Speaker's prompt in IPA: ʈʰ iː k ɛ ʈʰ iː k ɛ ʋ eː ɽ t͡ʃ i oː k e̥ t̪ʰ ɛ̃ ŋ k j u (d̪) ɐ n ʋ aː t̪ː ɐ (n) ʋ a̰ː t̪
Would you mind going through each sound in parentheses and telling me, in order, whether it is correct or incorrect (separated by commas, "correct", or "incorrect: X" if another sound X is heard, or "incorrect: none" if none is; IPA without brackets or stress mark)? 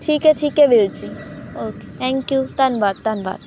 incorrect: t̪, correct